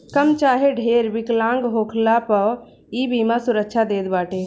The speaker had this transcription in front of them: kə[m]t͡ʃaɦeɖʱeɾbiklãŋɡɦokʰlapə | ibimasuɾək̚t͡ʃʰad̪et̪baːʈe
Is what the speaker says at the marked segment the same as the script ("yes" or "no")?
yes